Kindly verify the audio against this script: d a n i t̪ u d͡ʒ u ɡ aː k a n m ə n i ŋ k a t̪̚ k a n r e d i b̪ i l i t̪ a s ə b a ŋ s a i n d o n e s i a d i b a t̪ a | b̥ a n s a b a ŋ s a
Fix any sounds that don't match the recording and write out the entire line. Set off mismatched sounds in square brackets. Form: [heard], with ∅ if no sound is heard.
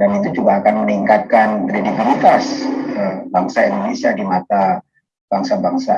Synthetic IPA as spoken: d a n i t̪ u d͡ʒ u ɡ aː k a n m ə n i ŋ k a t̪̚ k a n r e d i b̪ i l i t̪ a s ə b a ŋ s a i n d o n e s i a d i [m] a t̪ a | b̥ a [ŋ] s a b a ŋ s a